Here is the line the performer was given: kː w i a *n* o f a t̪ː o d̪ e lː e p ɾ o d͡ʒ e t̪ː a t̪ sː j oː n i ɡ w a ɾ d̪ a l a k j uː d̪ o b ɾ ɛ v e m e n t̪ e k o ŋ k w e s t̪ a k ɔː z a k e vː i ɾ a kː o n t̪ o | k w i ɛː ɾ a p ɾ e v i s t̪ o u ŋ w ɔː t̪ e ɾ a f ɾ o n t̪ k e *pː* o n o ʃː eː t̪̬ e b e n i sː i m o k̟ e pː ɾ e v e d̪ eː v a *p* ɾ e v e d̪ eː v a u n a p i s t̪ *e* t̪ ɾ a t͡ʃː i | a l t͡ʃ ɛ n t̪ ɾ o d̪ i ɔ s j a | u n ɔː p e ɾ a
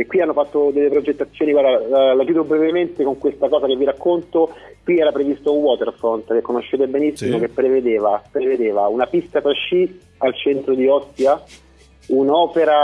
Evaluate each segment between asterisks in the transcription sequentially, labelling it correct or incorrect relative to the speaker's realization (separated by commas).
incorrect, incorrect, correct, incorrect